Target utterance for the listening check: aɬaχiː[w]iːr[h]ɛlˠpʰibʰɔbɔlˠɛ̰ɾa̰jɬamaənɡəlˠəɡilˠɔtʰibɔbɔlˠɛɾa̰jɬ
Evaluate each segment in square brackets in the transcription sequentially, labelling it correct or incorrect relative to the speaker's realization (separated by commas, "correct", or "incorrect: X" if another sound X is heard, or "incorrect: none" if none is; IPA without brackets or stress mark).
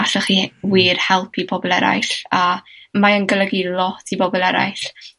correct, correct